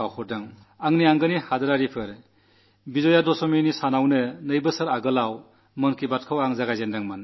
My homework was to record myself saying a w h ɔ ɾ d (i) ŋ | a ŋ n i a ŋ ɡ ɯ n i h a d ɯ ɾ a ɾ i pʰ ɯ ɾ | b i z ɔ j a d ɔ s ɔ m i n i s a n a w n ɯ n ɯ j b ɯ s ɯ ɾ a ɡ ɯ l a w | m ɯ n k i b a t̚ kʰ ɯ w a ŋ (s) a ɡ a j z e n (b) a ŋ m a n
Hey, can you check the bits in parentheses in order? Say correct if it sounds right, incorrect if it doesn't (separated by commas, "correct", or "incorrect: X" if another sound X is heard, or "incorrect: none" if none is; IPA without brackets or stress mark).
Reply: incorrect: a, incorrect: z, incorrect: d